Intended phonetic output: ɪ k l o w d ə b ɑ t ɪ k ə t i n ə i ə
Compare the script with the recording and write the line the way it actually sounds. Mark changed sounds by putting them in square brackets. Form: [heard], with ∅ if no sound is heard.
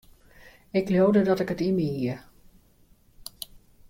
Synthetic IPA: ɪ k l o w d ə [d] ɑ t ɪ k ə t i [m] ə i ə